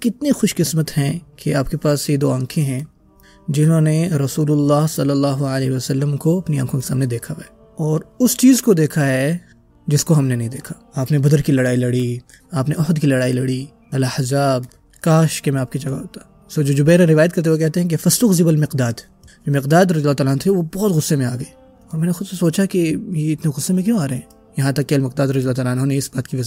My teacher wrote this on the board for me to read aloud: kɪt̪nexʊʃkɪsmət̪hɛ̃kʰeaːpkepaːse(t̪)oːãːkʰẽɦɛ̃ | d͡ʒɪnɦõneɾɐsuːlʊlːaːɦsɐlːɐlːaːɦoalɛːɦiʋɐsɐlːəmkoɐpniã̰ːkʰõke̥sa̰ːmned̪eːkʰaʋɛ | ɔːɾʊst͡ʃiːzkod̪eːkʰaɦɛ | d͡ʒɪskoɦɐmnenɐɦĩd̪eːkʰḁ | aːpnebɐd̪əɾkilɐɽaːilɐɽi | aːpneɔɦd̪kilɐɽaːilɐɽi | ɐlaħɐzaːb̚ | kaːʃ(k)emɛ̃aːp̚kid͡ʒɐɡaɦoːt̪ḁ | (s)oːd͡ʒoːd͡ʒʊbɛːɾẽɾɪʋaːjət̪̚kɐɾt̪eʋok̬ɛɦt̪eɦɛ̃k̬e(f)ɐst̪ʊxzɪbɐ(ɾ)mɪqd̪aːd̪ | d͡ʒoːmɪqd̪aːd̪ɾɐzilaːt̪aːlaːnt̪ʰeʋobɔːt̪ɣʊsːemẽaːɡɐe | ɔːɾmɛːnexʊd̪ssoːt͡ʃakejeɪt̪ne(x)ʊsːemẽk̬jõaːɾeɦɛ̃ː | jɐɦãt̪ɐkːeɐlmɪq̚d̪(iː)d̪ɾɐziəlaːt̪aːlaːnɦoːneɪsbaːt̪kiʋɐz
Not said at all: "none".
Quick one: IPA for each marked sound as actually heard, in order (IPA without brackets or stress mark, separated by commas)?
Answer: d̪, k, s, f, l, ɣ, aː